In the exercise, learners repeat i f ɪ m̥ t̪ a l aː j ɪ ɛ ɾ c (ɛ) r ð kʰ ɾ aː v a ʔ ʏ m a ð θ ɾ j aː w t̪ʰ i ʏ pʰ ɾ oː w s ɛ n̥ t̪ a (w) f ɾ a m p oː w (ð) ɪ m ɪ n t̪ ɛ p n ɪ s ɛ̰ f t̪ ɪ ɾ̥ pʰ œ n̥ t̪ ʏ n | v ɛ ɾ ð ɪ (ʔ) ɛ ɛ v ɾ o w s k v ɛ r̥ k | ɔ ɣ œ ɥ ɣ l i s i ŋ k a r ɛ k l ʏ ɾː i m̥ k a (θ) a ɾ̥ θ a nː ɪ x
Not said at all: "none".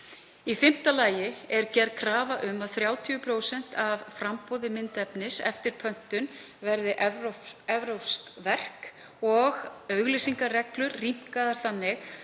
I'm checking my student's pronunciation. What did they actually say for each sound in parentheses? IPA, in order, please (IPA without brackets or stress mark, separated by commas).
ɛ, v, ð, ʔ, ð